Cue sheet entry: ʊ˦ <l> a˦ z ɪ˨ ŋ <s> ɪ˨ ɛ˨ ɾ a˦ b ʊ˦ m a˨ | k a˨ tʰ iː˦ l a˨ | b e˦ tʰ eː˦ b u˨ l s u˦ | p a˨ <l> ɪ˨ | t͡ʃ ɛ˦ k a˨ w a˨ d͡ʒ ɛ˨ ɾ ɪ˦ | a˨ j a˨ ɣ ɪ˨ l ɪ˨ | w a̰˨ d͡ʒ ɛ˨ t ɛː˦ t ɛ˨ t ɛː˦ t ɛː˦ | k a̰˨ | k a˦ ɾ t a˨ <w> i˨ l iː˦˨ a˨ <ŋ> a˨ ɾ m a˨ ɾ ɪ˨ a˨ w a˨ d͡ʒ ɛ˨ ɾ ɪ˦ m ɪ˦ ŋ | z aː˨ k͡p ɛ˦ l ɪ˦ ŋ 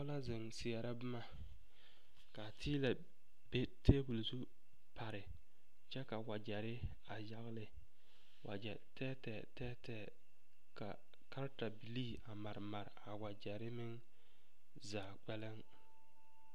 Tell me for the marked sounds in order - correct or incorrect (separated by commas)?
correct, correct, incorrect, incorrect, incorrect